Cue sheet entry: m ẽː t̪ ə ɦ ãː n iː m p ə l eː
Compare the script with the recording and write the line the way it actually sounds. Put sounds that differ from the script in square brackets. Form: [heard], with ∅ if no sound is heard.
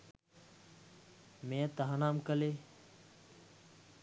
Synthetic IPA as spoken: m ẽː t̪ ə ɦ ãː n [aː] m [k] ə l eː